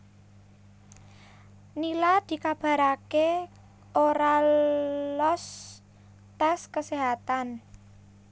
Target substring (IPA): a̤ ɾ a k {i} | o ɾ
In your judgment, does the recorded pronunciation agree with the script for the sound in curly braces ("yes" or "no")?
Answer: no